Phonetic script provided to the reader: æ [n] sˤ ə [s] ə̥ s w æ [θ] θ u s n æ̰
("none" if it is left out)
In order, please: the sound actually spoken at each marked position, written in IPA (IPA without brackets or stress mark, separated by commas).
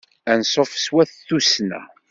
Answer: n, f, θ